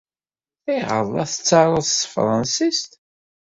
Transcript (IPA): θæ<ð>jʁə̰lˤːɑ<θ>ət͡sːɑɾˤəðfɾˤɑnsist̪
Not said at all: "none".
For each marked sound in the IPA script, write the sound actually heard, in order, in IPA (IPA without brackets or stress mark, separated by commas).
none, θ